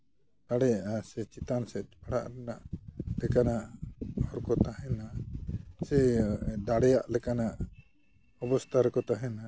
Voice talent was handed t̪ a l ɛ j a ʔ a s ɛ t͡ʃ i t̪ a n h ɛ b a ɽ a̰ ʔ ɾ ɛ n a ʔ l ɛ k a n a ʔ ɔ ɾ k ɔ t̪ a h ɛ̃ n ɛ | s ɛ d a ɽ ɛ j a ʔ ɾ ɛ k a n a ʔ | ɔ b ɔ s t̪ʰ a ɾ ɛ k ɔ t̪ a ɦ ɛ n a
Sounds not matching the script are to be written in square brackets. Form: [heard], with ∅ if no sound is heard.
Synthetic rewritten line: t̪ a [ɽ] ɛ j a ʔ a s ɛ t͡ʃ i t̪ a n [s] ɛ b a ɽ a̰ ʔ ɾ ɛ n a ʔ l ɛ k a n a ʔ ɔ ɾ k ɔ t̪ a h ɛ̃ n [a] | s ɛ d a ɽ ɛ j a ʔ [l] ɛ k a n a ʔ | ɔ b ɔ s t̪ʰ a ɾ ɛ k ɔ t̪ a ɦ ɛ n a